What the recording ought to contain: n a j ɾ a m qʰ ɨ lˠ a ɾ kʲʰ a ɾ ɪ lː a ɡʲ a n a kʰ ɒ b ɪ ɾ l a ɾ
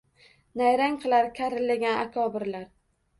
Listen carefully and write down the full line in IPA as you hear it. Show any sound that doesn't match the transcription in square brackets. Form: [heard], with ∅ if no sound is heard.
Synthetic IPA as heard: n a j ɾ a [ŋ] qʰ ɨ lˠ a ɾ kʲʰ a ɾ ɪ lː a ɡʲ a n a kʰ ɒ b ɪ ɾ l a ɾ